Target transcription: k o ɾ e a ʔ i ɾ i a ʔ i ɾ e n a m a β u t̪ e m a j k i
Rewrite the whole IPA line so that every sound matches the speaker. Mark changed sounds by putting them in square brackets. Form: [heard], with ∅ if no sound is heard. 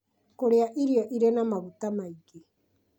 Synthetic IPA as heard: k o ɾ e a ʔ i ɾ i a ʔ i ɾ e n a m a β u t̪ [a] m a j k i